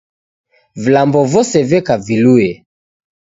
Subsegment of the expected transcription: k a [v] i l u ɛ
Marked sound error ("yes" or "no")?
no